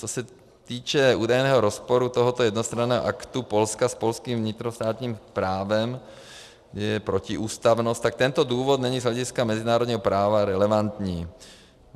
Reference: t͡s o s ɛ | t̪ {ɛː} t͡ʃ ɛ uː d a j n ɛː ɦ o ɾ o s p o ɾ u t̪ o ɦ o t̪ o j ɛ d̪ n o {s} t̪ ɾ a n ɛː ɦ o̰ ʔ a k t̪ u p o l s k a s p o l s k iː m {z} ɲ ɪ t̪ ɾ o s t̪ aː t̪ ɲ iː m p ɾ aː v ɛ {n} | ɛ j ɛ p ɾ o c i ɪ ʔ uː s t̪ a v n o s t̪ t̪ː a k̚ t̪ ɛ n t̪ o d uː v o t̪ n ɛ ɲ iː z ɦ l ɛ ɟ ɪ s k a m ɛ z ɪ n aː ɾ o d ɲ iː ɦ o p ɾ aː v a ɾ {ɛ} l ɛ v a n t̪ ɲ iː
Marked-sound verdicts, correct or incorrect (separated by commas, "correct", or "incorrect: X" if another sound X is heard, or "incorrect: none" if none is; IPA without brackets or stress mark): incorrect: iː, correct, incorrect: v, incorrect: m, correct